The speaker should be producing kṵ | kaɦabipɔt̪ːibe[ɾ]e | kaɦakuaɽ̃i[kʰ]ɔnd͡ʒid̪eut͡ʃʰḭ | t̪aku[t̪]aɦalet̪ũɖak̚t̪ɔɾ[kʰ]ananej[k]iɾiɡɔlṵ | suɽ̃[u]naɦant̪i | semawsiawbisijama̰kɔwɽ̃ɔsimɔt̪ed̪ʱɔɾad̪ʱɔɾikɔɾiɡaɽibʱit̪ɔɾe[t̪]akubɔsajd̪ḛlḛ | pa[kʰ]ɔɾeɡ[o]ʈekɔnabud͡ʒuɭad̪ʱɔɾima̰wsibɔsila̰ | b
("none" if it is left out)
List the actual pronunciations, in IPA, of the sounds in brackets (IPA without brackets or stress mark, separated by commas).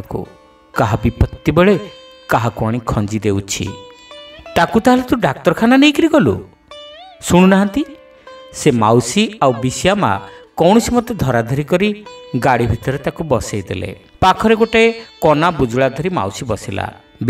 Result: ɭ, kʰ, t̪, kʰ, k, u, t̪, kʰ, o